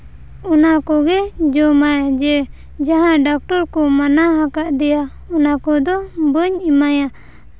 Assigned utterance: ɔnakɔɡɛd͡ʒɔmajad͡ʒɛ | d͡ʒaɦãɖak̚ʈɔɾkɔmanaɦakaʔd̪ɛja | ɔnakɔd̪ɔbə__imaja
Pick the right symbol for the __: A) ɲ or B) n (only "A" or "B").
A